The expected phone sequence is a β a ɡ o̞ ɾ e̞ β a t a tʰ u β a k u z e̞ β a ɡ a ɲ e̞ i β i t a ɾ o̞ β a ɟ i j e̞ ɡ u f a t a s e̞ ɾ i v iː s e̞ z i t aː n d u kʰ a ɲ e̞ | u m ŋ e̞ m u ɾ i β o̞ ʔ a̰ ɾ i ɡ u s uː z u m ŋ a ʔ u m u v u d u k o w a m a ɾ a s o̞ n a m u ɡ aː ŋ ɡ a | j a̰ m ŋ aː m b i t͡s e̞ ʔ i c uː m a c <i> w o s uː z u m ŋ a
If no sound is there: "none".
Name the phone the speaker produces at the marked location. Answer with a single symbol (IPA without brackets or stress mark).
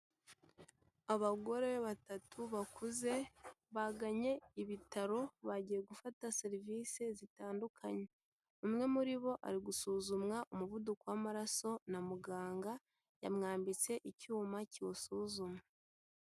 i